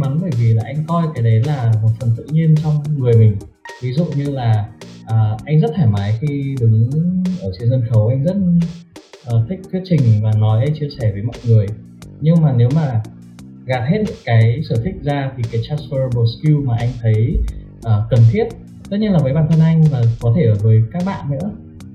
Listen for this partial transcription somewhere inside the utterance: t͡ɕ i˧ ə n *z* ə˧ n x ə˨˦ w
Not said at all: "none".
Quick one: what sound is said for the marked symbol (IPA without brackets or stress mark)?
z